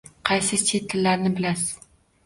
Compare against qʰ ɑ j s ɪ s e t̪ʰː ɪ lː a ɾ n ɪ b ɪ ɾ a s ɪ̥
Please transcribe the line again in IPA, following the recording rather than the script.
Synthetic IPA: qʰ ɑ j s ɪ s e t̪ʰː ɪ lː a ɾ n ɪ b ɪ l a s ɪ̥